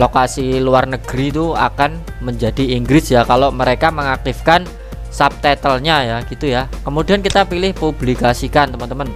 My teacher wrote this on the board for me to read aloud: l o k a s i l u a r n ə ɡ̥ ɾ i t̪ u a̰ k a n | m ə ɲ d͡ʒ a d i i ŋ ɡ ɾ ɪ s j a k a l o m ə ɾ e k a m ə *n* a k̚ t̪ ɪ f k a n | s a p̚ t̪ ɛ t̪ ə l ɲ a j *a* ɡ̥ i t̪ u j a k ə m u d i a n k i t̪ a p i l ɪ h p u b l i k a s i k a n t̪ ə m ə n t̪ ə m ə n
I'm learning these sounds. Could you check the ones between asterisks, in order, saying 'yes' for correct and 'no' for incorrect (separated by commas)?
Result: no, yes